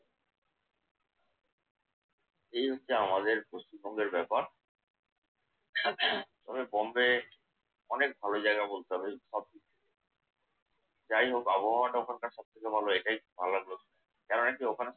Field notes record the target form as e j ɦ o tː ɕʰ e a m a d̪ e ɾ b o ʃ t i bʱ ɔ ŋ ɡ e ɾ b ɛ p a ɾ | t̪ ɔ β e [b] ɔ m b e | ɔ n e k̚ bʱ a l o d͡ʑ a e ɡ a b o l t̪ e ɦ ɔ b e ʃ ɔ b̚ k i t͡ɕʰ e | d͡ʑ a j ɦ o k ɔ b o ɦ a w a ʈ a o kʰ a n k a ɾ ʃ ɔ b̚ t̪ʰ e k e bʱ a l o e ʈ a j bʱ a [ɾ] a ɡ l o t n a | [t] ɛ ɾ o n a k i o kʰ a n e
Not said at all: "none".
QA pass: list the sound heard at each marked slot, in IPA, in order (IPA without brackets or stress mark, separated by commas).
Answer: b, l, k